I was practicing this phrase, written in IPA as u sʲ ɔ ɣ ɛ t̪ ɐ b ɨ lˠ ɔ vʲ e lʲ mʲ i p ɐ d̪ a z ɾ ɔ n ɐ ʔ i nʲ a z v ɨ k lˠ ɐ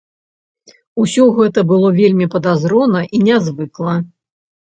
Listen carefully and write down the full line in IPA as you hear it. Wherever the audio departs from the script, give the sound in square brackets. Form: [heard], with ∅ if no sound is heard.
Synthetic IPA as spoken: u sʲ ɔ ɣ ɛ t̪ ɐ b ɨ lˠ ɔ vʲ e lʲ mʲ i p ɐ d̪ a z ɾ ɔ n ɐ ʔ i nʲ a z v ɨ k lˠ ɐ